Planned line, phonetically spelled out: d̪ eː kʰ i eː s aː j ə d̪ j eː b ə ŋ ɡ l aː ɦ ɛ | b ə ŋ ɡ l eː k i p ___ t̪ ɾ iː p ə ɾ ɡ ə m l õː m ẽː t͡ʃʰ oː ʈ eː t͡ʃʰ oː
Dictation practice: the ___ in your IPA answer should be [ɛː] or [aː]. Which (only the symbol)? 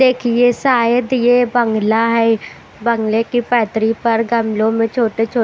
ɛː